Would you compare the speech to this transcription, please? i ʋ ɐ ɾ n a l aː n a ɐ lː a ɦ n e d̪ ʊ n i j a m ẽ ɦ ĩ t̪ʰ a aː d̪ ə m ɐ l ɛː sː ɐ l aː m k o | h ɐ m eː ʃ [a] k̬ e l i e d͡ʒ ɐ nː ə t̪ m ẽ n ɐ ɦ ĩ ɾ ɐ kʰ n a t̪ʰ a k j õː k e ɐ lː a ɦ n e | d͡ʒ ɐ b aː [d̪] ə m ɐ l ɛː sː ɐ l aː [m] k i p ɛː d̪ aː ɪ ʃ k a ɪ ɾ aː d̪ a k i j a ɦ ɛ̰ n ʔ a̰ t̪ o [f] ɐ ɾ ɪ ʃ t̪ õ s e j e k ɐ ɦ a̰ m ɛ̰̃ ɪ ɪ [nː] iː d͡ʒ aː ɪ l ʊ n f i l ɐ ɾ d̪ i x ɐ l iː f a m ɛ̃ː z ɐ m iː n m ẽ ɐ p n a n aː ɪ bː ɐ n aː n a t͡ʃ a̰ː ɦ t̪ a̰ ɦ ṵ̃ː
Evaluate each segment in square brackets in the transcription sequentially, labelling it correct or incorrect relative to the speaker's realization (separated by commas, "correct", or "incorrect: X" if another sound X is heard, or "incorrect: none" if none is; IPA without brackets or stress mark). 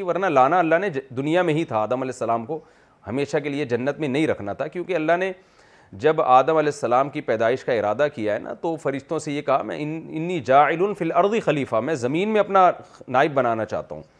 correct, correct, correct, correct, correct